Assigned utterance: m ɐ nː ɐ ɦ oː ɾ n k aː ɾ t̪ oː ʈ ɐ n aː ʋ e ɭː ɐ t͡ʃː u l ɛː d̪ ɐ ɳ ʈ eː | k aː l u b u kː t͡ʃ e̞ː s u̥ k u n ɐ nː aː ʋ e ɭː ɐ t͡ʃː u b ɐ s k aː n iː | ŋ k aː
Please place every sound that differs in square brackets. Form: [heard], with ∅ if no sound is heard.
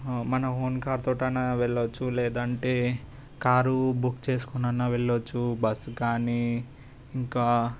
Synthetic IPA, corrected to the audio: m ɐ [n] ɐ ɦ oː [∅] n k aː ɾ t̪ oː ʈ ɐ n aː ʋ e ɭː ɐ t͡ʃː u l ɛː d̪ ɐ ɳ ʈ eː | k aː [ɾ] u b u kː t͡ʃ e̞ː s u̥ k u n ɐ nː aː ʋ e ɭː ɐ t͡ʃː u b ɐ s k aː n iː | ŋ k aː